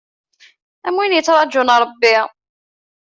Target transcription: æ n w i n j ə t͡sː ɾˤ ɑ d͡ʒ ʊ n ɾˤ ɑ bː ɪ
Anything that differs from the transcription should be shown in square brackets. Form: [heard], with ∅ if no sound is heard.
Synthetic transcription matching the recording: æ [m] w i n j ə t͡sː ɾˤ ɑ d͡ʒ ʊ n ɾˤ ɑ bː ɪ